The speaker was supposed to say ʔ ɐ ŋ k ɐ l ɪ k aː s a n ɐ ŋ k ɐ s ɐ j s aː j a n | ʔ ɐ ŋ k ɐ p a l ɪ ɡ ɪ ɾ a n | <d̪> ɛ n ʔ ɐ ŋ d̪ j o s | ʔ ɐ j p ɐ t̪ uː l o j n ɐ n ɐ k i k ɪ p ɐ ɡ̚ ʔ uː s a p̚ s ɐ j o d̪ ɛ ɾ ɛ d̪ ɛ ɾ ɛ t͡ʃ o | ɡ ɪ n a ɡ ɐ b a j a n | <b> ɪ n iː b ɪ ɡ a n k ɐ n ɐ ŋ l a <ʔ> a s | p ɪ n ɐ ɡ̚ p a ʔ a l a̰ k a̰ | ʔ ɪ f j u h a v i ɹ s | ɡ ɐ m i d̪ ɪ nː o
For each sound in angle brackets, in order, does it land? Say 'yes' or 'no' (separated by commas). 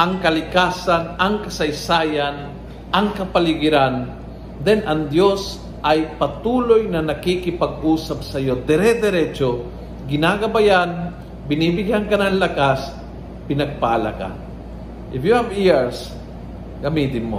yes, yes, no